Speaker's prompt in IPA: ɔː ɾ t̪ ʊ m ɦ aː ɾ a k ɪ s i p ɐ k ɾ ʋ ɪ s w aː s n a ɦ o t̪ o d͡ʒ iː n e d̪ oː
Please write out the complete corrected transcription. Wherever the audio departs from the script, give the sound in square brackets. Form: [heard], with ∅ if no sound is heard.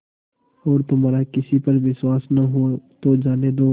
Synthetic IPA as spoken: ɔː ɾ t̪ ʊ m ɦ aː ɾ a k ɪ s i p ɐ [∅] ɾ ʋ ɪ s w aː s n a ɦ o t̪ o d͡ʒ [aː] n e d̪ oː